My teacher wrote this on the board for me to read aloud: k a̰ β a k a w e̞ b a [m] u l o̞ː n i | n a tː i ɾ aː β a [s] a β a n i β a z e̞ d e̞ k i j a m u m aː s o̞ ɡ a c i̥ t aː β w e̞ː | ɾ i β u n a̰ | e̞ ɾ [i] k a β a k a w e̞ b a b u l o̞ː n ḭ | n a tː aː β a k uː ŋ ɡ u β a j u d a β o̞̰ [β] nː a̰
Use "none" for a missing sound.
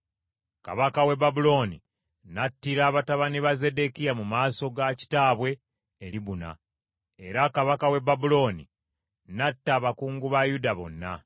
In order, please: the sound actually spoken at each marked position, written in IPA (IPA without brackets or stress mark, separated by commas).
b, t, a, none